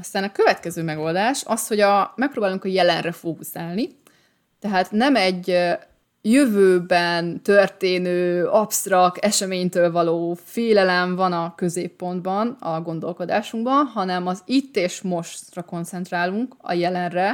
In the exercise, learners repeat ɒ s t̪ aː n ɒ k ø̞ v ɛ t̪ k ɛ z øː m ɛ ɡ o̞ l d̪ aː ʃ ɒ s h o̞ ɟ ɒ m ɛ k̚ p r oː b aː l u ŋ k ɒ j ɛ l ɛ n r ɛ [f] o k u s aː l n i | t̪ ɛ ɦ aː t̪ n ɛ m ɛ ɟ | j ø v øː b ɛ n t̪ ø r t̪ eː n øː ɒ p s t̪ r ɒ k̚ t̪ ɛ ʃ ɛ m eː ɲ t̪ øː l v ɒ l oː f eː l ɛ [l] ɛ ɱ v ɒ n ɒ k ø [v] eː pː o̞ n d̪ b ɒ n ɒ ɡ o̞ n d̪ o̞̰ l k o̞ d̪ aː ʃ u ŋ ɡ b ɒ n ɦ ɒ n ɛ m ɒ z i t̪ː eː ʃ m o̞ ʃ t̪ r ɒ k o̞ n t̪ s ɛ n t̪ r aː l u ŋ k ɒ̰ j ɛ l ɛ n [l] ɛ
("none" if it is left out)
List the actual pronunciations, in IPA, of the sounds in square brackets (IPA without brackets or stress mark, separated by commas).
f, l, z, r